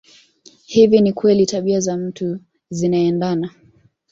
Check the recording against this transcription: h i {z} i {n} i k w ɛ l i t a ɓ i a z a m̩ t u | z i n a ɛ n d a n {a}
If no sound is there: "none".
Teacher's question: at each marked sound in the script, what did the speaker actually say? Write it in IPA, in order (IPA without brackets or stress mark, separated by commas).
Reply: v, n, a